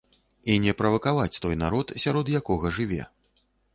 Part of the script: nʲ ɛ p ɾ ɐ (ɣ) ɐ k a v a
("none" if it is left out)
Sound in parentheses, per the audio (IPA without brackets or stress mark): v